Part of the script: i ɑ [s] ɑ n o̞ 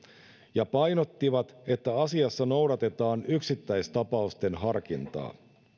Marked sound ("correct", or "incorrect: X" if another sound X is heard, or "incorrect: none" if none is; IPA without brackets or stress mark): incorrect: sː